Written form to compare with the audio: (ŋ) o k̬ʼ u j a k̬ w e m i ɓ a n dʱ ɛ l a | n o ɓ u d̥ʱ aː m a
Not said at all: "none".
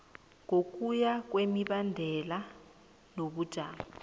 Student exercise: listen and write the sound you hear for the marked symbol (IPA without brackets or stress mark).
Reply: ŋ